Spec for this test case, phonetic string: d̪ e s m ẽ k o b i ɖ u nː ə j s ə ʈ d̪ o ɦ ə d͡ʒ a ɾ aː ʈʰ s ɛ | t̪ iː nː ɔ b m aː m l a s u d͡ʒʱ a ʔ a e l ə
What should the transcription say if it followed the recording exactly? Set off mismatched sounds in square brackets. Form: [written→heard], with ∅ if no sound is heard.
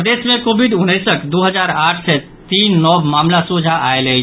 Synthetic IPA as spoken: d̪ e s m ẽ k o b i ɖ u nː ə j s ə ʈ d̪ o ɦ ə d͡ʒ a ɾ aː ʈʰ s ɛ | t̪ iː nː ɔ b m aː m l a s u d͡ʒʱ a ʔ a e l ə